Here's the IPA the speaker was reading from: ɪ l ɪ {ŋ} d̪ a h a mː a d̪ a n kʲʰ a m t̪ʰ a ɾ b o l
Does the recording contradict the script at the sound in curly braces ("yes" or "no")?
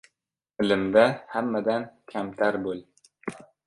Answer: yes